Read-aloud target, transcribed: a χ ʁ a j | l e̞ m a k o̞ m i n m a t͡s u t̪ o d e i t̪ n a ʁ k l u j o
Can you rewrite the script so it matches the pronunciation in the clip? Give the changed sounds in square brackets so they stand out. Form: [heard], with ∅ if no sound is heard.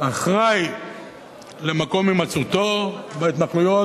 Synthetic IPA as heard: a χ ʁ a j | l e̞ m a k o̞ m i [∅] m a t͡s u t̪ o [b] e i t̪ n a [∅] k l u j o